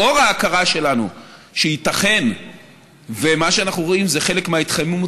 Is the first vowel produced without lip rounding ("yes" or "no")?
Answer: no